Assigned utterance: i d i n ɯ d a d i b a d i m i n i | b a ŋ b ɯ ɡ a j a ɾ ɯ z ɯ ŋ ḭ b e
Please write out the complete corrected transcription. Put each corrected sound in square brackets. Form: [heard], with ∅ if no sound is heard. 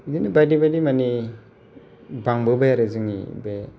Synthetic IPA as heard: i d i n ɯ [b] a d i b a d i m [a] n i | b a ŋ b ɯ [b] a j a ɾ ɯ z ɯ ŋ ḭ b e

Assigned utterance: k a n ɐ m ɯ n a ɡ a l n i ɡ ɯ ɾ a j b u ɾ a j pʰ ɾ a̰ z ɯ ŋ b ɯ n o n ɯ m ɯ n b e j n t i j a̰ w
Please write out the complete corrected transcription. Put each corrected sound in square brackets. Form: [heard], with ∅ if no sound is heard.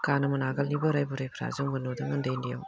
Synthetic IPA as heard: k a n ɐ m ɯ n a ɡ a l n i [b] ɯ ɾ a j b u ɾ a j pʰ ɾ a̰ z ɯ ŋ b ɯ n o [d] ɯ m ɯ n [d] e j n [d] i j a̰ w

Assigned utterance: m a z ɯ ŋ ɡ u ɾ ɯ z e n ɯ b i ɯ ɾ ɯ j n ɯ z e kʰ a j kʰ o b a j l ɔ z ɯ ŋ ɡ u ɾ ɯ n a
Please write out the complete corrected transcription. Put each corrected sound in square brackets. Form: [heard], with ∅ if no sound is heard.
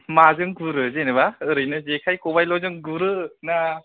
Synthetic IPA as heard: m a z ɯ ŋ ɡ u ɾ ɯ z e n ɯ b [a] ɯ ɾ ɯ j n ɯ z e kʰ a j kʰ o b a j l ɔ z ɯ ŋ ɡ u ɾ ɯ n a

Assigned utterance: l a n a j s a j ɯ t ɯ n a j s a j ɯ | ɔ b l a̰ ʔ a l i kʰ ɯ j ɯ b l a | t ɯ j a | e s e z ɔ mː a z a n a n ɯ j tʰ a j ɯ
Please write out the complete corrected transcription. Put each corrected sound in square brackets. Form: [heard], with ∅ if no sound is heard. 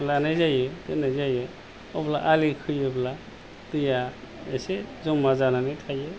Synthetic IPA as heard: l a n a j [z] a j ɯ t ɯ n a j [z] a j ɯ | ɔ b l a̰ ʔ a l i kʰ ɯ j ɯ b l a | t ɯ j a | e s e z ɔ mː a z a n a n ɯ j tʰ a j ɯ

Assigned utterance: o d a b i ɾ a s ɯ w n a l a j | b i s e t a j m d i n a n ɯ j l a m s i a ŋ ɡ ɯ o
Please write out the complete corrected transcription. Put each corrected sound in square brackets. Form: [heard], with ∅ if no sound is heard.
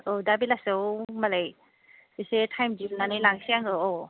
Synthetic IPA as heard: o d a b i [l] a s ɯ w [m] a l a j | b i s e [tʰ] a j m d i n a n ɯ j l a [ŋ] s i a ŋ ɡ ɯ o

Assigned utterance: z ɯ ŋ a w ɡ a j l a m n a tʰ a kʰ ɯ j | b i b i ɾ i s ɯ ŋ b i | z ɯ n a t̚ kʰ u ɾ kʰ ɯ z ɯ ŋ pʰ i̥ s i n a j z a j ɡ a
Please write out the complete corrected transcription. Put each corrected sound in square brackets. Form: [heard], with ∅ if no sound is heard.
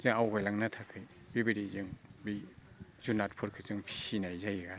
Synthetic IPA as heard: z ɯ ŋ a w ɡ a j l a [ŋ] n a tʰ a kʰ ɯ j | b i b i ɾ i [z] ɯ ŋ b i | z [u] n a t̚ [pʰ] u ɾ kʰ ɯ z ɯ ŋ pʰ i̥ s i n a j z a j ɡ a

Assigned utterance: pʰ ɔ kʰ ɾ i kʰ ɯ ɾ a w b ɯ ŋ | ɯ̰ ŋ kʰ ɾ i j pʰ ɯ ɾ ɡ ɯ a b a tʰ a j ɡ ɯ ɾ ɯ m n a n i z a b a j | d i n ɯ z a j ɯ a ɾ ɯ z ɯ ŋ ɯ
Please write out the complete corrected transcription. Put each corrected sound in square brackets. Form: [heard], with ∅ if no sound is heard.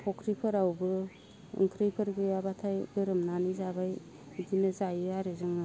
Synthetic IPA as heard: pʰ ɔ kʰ ɾ i [pʰ] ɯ ɾ a w b ɯ [∅] | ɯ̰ ŋ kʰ ɾ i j pʰ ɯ ɾ ɡ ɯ a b a tʰ a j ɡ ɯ ɾ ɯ m n a n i z a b a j | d i n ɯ z a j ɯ a ɾ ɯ z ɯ ŋ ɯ

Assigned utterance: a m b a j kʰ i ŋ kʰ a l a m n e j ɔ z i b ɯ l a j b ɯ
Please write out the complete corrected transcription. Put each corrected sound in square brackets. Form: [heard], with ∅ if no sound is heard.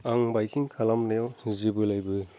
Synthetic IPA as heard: a [ŋ] b a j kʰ i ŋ kʰ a l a m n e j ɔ z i b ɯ l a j b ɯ

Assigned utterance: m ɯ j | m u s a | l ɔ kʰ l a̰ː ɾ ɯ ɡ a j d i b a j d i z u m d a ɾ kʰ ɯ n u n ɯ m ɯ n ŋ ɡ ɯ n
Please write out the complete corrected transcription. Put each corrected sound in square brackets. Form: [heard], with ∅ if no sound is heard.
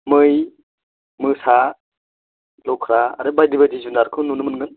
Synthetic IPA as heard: m ɯ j | m [ɯ] s a | l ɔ kʰ [ɾ] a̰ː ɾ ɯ [b] a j d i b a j d i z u [n] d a ɾ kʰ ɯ n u n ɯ m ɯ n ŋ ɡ ɯ n

